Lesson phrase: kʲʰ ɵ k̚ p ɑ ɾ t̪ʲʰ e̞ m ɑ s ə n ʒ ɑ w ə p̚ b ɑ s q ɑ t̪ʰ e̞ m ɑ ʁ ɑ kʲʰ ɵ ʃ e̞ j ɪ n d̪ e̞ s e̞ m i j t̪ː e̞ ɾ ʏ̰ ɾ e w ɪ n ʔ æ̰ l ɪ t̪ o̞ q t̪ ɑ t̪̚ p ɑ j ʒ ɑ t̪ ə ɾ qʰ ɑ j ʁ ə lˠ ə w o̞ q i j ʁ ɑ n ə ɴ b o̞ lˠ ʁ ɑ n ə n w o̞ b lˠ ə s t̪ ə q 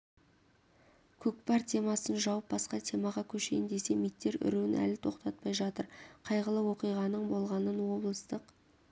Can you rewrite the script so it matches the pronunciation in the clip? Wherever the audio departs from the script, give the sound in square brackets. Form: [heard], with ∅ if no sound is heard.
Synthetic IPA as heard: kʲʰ ɵ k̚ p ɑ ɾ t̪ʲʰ e̞ m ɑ s ə n ʒ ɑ w ə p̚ b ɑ s q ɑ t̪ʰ e̞ m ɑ ʁ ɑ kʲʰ ɵ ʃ e̞ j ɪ n d̪ e̞ s e̞ m i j t̪ː e̞ ɾ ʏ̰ ɾ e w ɪ n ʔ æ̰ l ɪ [t̪ʰ] o̞ q t̪ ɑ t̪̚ p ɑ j ʒ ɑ t̪ ə ɾ qʰ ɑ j ʁ ə lˠ ə w o̞ q i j ʁ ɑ n ə ɴ b o̞ lˠ ʁ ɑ n ə n w o̞ b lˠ ə s t̪ ə q

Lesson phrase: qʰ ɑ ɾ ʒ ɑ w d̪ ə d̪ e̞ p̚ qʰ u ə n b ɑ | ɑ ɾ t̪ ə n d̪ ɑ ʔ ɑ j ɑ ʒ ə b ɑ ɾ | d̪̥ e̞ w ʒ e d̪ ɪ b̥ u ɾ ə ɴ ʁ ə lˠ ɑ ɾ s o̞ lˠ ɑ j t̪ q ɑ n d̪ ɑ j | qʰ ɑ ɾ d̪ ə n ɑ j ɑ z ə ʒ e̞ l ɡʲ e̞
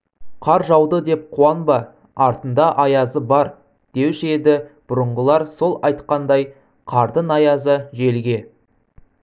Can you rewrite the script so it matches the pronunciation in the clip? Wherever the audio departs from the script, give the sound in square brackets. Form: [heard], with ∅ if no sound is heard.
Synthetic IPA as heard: qʰ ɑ ɾ ʒ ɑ w d̪ ə d̪ e̞ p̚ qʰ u [ɑ] n b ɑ | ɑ ɾ t̪ ə n d̪ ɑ ʔ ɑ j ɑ [z] ə b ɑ ɾ | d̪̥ e̞ w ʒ e d̪ ɪ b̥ [ʊ] ɾ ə ɴ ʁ ə lˠ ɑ ɾ s o̞ lˠ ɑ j t̪ q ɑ n d̪ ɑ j | qʰ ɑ ɾ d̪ ə n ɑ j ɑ z ə ʒ e̞ l ɡʲ e̞

